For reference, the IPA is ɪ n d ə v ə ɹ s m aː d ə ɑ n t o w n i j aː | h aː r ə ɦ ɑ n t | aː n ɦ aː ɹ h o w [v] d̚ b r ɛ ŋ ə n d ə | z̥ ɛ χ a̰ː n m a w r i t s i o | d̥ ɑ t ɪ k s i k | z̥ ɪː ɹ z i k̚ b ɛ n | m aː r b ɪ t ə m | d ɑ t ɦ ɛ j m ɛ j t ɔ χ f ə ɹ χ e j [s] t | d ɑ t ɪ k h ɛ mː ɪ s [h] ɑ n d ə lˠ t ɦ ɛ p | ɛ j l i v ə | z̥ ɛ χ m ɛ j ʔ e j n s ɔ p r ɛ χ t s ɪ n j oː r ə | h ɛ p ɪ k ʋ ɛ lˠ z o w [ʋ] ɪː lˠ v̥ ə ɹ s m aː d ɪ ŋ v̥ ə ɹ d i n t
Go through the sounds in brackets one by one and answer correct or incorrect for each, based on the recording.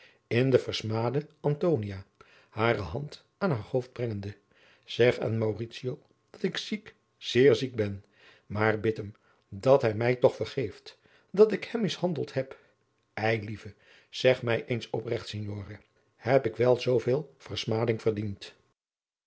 incorrect: f, incorrect: f, correct, incorrect: v

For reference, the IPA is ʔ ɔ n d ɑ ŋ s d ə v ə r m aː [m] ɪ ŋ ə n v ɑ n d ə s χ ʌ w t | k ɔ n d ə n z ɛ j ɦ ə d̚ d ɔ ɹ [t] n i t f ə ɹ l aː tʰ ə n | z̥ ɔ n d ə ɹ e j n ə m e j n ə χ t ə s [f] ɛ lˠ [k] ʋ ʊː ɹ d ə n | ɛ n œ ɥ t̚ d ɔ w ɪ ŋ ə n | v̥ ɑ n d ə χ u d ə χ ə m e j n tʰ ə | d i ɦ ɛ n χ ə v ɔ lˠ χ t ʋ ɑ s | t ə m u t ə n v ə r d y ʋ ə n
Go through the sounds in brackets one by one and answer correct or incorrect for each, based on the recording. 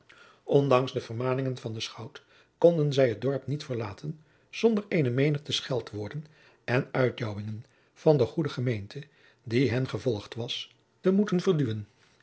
incorrect: n, incorrect: p, incorrect: χ, incorrect: t

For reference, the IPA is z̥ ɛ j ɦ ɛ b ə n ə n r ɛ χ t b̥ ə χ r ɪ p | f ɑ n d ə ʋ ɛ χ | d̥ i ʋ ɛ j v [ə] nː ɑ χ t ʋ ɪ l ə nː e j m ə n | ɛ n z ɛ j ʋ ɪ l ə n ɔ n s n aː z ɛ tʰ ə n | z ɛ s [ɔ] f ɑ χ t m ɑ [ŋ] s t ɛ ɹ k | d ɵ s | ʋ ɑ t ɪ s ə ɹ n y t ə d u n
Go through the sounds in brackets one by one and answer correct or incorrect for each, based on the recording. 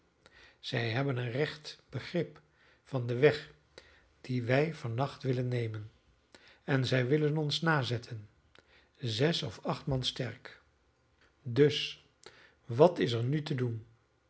incorrect: ɑ, correct, incorrect: n

